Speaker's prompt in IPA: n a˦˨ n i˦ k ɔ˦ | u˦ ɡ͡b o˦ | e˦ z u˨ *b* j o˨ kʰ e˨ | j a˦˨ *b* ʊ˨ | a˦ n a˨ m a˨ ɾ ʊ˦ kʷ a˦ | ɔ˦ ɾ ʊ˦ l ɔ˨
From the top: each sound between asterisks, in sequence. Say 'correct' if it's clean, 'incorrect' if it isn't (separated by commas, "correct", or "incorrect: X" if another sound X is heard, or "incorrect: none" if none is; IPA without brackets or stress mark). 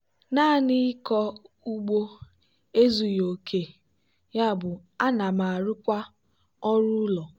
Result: incorrect: none, correct